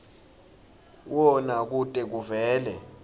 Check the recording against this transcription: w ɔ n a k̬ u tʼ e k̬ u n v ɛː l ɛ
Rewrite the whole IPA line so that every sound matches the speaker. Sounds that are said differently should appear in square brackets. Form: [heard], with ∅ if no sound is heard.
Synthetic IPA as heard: w ɔ n a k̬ u tʼ [ɛ] k̬ u [∅] v ɛː l ɛ